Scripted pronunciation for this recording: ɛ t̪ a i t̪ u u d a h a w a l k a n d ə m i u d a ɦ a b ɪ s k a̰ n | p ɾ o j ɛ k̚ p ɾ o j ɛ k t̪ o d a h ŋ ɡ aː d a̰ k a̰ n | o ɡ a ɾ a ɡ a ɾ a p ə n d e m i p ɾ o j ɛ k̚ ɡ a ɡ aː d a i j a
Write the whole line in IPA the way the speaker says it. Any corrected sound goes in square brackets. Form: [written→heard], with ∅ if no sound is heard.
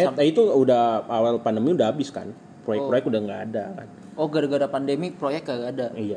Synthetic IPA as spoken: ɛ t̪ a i t̪ u u d a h a w a l [k→p] a n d ə m i u d a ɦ a b ɪ s k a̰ n | p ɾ o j ɛ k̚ p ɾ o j ɛ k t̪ [o→u] d a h ŋ ɡ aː d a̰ k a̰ n | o ɡ a ɾ a ɡ a ɾ a p [ə→a] n d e m i p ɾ o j ɛ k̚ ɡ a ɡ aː d a i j a